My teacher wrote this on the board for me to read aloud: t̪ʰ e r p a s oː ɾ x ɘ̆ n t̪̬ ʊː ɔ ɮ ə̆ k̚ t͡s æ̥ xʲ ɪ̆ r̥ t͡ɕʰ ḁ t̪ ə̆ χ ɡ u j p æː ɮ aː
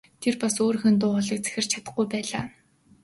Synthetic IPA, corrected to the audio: t̪ʰ e r p a s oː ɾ x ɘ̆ n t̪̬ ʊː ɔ ɮ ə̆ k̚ t͡s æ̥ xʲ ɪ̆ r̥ t͡ɕʰ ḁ t̪ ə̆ χ ɡ u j p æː ɮ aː